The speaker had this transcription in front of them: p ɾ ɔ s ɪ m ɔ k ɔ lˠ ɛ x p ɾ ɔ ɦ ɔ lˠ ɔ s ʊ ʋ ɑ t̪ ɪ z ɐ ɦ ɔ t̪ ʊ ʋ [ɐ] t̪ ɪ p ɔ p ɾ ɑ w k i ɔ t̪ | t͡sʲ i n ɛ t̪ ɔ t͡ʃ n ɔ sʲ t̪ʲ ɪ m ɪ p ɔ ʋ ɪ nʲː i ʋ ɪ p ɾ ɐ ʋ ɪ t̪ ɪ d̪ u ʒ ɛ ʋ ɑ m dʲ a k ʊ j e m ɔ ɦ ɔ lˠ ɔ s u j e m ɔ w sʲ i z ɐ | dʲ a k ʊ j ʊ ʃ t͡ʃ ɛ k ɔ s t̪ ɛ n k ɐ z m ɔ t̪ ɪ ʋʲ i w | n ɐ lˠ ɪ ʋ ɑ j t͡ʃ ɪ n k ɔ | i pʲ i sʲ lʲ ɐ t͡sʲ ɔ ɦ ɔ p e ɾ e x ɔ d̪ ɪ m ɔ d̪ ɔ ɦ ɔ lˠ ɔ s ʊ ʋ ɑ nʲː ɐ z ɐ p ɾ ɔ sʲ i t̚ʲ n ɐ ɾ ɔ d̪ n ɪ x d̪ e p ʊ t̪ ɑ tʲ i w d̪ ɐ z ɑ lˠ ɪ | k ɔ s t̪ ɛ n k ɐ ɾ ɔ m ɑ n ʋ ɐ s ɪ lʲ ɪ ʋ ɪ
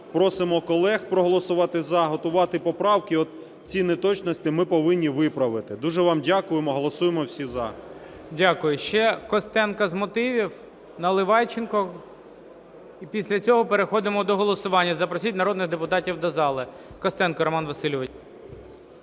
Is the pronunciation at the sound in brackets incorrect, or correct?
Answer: incorrect